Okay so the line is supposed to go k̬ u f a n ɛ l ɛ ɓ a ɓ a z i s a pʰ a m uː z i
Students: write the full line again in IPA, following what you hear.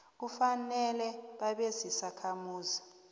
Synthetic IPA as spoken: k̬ u f a n ɛ l ɛ ɓ a ɓ e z i s a kʰ a m uː z i